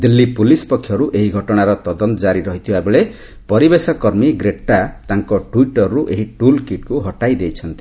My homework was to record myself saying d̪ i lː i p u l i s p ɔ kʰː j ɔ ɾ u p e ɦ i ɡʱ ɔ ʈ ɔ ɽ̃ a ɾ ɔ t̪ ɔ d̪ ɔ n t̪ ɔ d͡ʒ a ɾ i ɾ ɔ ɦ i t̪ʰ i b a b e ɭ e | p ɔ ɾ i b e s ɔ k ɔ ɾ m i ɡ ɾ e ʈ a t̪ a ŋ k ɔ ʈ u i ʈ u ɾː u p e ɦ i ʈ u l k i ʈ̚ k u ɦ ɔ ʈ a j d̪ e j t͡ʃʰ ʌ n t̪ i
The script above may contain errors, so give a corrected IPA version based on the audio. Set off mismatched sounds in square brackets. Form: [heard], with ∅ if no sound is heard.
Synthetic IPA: d̪ i lː i p u l i s p ɔ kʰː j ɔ ɾ u [ʔ] e ɦ i ɡʱ ɔ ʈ ɔ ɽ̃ a ɾ ɔ t̪ ɔ d̪ ɔ n t̪ ɔ d͡ʒ a ɾ i ɾ ɔ ɦ i t̪ʰ i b a b e ɭ e | p ɔ ɾ i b e s ɔ k ɔ ɾ m i ɡ ɾ e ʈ a t̪ a ŋ k ɔ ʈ u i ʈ [ɔ] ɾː u [ʔ] e ɦ i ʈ u l k i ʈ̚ k u ɦ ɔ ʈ a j d̪ e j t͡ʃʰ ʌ n t̪ i

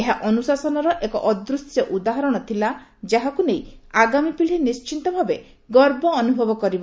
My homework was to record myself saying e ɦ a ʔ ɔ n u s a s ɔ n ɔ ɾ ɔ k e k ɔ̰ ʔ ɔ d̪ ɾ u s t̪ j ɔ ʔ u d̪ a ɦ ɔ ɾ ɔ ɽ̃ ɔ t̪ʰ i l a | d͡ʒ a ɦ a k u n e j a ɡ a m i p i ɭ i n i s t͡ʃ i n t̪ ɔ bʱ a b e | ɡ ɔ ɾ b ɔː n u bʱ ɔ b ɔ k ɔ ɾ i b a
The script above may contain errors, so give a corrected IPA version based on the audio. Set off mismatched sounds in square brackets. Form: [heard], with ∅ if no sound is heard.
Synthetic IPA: e ɦ a ʔ ɔ n u s a s ɔ n ɔ ɾ ɔ [ʔ] e k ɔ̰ ʔ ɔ d̪ ɾ u s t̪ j ɔ ʔ u d̪ a ɦ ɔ ɾ ɔ ɽ̃ ɔ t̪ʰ i l a | d͡ʒ a ɦ a k u n e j a ɡ a m i p i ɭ i n i s t͡ʃ i n t̪ ɔ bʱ a b e | ɡ ɔ ɾ b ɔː n u bʱ ɔ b ɔ k ɔ ɾ i b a

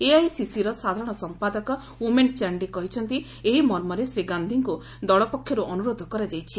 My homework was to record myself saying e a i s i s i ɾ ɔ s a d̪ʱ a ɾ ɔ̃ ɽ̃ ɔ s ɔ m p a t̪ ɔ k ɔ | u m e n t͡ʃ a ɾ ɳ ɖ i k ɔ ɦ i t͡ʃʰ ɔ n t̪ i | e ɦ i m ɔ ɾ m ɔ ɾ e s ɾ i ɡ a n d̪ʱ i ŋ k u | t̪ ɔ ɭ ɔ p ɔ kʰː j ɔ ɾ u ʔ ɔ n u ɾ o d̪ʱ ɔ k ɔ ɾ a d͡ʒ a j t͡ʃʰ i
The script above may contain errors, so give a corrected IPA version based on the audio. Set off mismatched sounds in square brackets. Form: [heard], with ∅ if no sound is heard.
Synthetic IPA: e a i s i s i ɾ ɔ s a d̪ʱ a ɾ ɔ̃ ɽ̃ ɔ s ɔ m p a [d̪] ɔ k ɔ | u m e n t͡ʃ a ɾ ɳ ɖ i k ɔ ɦ i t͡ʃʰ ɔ n t̪ i | e ɦ i m ɔ ɾ m ɔ ɾ e s ɾ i ɡ a n d̪ʱ i ŋ k u | [d̪] ɔ ɭ ɔ p ɔ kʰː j ɔ ɾ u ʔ ɔ n u ɾ o d̪ʱ ɔ k ɔ ɾ a d͡ʒ a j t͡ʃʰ i

